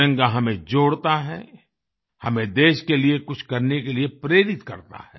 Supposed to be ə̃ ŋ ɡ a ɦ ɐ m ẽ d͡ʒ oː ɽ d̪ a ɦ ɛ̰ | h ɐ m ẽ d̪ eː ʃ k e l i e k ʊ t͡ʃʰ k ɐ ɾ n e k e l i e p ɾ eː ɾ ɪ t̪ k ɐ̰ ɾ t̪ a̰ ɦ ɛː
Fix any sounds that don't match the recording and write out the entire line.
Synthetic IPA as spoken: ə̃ ŋ ɡ a ɦ ɐ m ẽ d͡ʒ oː ɽ t̪ a ɦ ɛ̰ | h ɐ m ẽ d̪ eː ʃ k e l i e k ʊ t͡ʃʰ k ɐ ɾ n e k e l i e p ɾ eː ɾ ɪ t̪ k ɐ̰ ɾ t̪ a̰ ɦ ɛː